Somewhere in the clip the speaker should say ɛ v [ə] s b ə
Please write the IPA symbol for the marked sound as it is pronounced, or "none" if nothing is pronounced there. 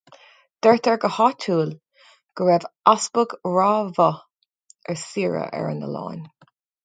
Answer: a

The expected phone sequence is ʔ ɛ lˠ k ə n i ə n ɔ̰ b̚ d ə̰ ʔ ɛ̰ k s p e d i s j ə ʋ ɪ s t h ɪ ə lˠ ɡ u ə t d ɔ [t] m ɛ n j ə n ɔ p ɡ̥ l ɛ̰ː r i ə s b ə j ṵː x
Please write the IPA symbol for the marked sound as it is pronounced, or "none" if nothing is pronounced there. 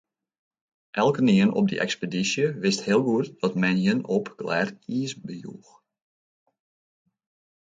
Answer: t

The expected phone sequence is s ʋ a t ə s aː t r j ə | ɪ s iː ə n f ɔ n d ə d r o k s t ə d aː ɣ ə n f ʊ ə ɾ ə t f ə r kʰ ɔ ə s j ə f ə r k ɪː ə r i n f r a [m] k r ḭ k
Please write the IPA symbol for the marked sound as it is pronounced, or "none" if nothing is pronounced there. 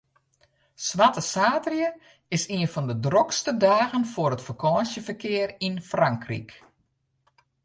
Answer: ŋ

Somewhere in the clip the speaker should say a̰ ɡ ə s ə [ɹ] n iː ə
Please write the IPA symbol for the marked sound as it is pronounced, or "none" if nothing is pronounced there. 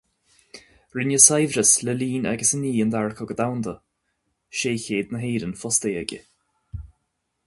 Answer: none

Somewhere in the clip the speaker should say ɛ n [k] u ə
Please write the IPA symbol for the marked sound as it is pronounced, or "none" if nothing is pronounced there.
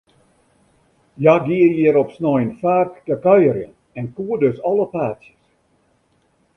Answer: k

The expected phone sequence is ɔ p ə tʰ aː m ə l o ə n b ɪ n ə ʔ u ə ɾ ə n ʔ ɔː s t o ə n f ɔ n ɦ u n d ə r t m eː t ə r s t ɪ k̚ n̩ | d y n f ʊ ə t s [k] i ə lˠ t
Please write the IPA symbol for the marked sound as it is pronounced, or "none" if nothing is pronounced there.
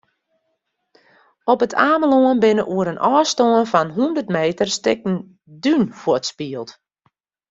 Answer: p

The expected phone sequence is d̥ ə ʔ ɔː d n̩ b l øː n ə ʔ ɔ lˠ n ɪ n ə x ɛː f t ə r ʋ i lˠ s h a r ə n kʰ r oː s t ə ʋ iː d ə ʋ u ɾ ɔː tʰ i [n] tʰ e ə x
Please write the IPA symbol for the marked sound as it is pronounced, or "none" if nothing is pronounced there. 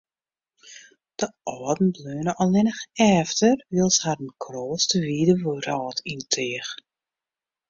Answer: n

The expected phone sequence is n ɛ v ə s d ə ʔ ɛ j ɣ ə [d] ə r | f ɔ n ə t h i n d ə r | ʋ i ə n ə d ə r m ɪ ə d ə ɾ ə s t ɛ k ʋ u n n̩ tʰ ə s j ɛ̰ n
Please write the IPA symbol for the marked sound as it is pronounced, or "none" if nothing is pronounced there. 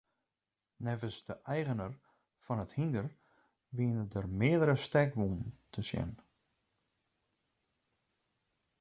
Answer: n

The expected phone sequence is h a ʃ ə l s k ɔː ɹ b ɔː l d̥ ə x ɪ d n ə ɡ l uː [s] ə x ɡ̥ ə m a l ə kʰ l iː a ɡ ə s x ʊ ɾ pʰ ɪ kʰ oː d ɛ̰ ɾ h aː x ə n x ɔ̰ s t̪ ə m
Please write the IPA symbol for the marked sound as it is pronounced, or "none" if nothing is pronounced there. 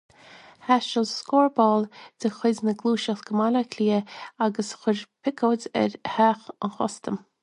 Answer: ʃ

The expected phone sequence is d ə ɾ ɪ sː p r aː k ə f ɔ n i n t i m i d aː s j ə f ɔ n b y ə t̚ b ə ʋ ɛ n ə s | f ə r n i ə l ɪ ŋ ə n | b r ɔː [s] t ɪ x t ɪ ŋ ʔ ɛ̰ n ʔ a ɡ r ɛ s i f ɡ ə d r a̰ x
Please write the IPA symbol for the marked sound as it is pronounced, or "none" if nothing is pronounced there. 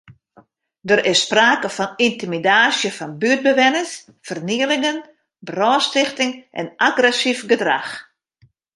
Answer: s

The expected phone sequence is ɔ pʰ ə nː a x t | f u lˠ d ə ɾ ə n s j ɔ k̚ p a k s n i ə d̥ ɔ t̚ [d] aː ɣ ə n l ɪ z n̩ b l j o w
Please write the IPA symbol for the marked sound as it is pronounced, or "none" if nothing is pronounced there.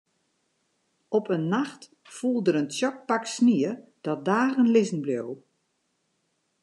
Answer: d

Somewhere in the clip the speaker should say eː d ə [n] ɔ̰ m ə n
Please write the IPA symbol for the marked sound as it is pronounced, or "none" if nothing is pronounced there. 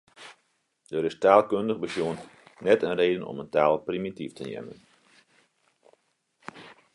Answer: n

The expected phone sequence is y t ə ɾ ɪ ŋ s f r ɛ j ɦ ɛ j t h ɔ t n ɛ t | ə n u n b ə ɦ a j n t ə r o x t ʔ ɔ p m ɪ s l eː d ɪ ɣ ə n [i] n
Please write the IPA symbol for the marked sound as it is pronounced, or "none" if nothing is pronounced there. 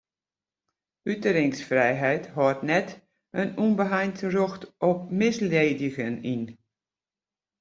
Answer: i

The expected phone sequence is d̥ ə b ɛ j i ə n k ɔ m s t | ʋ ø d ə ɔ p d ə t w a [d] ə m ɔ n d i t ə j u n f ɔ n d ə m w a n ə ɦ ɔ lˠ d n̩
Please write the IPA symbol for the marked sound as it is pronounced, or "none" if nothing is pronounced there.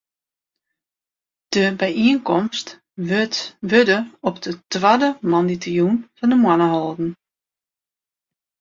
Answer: d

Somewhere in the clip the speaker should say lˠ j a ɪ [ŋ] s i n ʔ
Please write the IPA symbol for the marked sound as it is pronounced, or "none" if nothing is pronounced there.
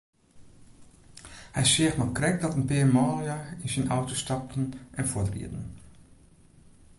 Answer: n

